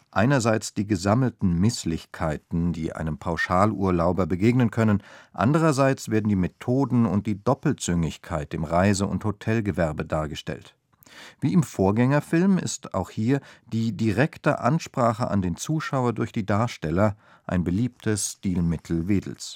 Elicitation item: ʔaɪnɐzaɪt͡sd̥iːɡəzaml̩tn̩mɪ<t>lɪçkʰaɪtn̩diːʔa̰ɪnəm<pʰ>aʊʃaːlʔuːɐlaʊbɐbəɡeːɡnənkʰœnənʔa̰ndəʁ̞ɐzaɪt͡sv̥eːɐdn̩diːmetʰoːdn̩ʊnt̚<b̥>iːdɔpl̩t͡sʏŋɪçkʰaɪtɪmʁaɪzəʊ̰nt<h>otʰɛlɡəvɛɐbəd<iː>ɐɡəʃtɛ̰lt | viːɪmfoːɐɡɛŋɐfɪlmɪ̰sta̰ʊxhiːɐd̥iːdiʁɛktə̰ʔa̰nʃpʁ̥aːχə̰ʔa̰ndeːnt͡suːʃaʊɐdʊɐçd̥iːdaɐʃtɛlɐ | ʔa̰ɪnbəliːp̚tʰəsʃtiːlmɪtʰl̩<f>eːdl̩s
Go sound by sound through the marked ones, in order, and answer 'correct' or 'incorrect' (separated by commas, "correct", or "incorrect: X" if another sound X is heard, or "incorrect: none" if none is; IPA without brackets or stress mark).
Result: incorrect: s, correct, incorrect: d̥, correct, incorrect: aː, incorrect: v